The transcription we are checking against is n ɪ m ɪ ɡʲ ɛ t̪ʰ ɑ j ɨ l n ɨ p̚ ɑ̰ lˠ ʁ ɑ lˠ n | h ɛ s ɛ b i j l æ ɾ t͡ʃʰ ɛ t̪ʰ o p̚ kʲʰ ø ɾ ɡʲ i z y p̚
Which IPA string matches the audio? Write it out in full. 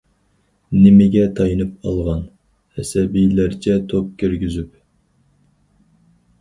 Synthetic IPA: n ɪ m ɪ ɡʲ ɛ t̪ʰ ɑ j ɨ n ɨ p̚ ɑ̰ lˠ ʁ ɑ n | h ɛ s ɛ b i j l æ ɾ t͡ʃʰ ɛ t̪ʰ o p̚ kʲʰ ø ɾ ɡʲ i z y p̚